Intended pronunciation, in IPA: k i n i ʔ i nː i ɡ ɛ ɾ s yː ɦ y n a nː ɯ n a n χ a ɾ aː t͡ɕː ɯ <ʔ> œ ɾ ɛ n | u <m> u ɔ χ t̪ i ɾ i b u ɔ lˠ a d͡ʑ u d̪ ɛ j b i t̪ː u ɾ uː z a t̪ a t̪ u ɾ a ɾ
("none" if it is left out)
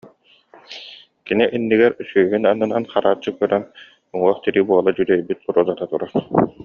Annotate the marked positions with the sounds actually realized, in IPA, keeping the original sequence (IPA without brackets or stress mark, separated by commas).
k, ŋ